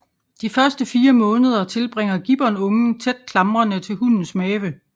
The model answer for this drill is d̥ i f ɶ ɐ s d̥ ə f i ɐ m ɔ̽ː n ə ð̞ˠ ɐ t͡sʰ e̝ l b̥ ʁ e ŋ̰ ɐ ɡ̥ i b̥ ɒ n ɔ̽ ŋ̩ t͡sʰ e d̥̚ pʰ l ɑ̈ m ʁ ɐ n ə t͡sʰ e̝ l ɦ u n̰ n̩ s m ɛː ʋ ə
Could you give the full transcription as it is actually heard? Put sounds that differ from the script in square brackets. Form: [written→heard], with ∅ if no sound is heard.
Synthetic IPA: d̥ i f ɶ ɐ s d̥ ə f [i→iː] ɐ m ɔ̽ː n ə ð̞ˠ ɐ t͡sʰ e̝ l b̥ ʁ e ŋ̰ ɐ ɡ̥ i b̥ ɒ n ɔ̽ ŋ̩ t͡sʰ e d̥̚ [pʰ→kʰ] l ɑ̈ m ʁ ɐ n ə t͡sʰ e̝ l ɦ u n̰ n̩ s m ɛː ʋ ə